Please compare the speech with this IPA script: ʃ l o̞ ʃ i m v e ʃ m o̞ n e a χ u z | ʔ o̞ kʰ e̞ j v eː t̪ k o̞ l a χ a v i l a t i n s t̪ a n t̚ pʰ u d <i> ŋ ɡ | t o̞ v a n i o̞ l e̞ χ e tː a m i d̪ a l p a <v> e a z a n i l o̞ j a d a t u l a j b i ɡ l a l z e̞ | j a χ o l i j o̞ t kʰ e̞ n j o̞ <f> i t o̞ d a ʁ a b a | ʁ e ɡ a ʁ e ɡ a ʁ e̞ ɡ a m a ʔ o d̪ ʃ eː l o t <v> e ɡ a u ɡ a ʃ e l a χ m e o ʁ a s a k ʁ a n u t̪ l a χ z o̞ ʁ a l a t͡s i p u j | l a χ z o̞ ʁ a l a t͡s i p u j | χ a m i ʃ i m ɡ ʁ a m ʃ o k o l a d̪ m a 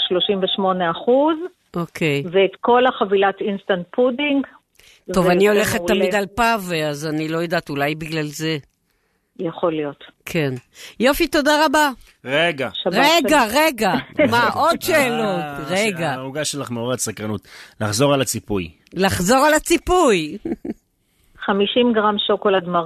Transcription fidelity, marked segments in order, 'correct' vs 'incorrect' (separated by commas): correct, correct, correct, incorrect